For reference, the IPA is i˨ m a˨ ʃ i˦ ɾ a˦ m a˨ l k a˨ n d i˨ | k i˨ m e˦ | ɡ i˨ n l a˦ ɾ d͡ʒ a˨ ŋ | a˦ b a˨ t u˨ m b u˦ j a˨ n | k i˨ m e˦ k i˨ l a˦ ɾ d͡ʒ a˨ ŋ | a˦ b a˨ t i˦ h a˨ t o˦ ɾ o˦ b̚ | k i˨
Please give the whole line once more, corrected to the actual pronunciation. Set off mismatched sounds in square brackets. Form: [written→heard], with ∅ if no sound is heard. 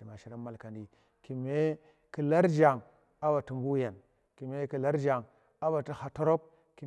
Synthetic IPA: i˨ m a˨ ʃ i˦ ɾ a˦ m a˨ l k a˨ n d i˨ | k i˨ m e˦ | [ɡ→k] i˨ [n→∅] l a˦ ɾ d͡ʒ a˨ ŋ | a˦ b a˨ t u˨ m b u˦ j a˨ n | k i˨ m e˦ k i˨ l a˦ ɾ d͡ʒ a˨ ŋ | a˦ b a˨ t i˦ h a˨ t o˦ ɾ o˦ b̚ | k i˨

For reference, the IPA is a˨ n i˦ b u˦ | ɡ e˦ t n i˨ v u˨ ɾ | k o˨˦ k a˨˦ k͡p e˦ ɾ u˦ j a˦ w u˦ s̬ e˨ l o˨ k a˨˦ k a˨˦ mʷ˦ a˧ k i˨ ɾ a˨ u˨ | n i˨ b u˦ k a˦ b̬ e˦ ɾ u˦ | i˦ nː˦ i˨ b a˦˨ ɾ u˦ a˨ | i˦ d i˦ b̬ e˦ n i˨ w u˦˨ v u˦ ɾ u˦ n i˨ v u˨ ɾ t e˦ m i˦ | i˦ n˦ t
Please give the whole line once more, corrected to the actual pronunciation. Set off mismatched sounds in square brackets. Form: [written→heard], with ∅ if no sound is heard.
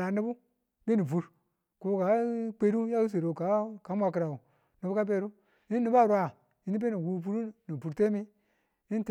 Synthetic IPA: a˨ n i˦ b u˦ | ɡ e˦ [t→∅] n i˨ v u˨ ɾ | k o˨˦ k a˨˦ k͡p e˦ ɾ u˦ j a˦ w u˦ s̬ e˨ [l→ɾ] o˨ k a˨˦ k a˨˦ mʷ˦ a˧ k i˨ ɾ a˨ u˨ | n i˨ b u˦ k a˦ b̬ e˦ ɾ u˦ | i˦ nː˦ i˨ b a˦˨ ɾ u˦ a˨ | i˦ [d→n] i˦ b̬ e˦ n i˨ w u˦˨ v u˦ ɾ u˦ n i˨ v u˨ ɾ t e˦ m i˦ | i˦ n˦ t

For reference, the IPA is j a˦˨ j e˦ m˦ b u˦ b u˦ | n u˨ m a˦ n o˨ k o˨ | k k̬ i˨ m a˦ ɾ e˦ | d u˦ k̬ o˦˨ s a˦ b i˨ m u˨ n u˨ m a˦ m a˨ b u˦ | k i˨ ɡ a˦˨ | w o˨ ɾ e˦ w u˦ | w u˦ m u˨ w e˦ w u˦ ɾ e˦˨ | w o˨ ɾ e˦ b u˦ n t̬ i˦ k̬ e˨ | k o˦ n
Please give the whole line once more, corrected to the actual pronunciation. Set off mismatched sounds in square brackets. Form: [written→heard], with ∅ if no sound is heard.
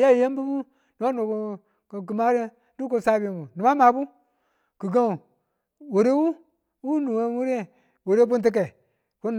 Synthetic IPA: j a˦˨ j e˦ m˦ b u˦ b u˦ | n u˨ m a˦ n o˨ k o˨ | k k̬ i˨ m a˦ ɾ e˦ | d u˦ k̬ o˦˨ s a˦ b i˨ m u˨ n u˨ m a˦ m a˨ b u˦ | k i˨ ɡ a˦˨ | w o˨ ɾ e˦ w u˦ | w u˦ [m→n] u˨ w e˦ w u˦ ɾ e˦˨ | w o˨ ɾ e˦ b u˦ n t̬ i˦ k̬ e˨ | k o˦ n

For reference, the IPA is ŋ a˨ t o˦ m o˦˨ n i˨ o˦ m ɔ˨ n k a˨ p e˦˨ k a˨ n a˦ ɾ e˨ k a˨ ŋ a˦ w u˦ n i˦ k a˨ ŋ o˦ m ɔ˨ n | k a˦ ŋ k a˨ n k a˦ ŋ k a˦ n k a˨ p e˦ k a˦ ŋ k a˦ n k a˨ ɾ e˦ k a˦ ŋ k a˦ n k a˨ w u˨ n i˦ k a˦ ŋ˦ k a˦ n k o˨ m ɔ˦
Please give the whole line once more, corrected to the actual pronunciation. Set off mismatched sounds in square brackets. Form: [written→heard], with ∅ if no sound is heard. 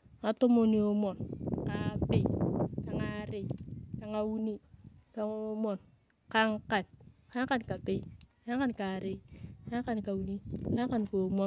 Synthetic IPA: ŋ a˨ t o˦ m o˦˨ n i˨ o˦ m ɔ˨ n k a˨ p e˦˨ k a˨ [n→ŋ] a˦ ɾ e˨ k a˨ ŋ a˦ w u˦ n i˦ k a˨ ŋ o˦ m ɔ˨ n | k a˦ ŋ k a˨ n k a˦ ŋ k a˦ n k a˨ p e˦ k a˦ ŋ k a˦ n k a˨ ɾ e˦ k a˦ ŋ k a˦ n k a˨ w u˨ n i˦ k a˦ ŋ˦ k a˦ n k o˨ m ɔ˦

